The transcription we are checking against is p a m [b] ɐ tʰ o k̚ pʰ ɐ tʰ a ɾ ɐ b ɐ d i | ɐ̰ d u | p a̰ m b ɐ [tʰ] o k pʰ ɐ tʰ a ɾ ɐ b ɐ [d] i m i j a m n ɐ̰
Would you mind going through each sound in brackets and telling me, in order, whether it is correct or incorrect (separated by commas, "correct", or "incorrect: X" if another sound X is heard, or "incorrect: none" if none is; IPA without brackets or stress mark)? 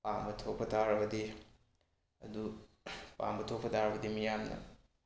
correct, correct, correct